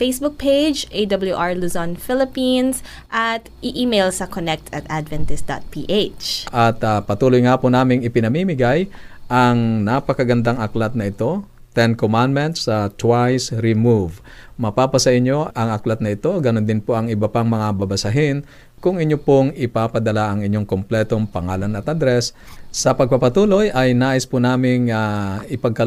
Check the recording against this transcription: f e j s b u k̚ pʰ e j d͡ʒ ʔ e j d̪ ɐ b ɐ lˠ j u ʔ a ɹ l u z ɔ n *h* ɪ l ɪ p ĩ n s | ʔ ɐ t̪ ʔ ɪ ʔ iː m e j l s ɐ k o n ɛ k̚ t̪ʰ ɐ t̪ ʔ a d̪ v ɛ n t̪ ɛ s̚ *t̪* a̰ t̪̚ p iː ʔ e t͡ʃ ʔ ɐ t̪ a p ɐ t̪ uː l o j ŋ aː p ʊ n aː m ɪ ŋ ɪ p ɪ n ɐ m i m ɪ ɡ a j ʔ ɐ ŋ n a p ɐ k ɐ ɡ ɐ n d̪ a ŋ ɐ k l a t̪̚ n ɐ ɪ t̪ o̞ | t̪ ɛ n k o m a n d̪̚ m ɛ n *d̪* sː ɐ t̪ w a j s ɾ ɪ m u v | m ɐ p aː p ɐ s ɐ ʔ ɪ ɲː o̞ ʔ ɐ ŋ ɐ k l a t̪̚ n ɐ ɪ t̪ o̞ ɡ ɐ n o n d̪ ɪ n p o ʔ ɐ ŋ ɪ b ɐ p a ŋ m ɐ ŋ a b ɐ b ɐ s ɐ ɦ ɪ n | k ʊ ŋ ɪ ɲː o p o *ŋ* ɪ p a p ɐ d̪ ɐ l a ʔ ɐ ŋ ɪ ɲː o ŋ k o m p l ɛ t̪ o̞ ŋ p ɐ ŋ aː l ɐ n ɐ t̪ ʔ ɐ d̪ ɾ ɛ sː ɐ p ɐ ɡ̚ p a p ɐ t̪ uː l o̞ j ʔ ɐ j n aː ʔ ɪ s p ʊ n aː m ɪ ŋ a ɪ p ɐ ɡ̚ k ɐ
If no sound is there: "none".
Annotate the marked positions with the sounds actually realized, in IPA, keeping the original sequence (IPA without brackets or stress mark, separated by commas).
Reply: f, d̪, t̪, ŋ